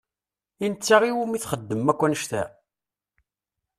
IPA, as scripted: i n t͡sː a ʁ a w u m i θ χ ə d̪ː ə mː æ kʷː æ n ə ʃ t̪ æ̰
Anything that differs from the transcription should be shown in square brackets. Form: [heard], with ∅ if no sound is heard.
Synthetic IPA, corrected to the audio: i n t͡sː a ʁ [i] w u m i θ χ ə d̪ː ə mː æ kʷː æ n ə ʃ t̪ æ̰